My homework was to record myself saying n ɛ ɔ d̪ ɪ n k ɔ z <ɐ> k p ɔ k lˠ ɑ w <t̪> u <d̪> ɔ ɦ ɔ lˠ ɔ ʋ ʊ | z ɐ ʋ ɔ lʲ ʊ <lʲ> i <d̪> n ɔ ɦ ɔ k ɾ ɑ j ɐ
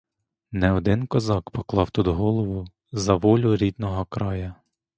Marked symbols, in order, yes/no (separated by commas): no, yes, yes, no, yes